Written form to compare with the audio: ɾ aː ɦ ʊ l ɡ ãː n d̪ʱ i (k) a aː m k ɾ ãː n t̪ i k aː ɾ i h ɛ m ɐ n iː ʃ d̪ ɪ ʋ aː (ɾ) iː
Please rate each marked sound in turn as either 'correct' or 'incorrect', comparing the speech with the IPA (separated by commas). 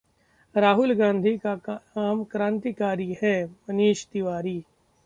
correct, correct